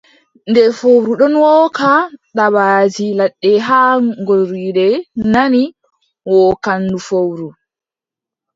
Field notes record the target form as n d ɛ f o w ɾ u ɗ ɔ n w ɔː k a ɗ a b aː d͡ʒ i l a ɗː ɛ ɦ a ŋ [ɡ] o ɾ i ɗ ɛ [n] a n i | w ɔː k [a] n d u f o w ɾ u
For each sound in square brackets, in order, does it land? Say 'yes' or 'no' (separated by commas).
yes, yes, yes